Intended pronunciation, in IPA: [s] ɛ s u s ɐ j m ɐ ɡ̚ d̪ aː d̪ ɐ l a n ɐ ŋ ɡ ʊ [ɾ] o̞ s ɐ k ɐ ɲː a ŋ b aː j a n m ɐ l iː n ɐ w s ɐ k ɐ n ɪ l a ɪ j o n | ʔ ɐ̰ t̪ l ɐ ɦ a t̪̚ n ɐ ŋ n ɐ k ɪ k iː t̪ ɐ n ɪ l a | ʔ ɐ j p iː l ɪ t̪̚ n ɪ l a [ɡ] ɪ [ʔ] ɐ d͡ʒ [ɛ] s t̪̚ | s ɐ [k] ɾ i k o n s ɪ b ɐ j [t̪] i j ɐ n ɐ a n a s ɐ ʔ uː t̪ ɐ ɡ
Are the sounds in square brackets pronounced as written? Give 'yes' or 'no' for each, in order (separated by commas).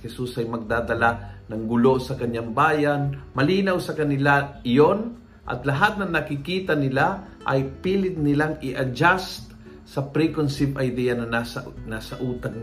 no, no, no, yes, no, no, no